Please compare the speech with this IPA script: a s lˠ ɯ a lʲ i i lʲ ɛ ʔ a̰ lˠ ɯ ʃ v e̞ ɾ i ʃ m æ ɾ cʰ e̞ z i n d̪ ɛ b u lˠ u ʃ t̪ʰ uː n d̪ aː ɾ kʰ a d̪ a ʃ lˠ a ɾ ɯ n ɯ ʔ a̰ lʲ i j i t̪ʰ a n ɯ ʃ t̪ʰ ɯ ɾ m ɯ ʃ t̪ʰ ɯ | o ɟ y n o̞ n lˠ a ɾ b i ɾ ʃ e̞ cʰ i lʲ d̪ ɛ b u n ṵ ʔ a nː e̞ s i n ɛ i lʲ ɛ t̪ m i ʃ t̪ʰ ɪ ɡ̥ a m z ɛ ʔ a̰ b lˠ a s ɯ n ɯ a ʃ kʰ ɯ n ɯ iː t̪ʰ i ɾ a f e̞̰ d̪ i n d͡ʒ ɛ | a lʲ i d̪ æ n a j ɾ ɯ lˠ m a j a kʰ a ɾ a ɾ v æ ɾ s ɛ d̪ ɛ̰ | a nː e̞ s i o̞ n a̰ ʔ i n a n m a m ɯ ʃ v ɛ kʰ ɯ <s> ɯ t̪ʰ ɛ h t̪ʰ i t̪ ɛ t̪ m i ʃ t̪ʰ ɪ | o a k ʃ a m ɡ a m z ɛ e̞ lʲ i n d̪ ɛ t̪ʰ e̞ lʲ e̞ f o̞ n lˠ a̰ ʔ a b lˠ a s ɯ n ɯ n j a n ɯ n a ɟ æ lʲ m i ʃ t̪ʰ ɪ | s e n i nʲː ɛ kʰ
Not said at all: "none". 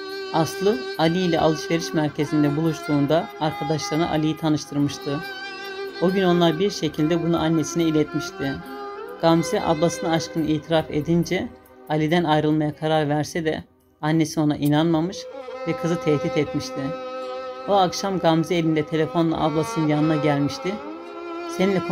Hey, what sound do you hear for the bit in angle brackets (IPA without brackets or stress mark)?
z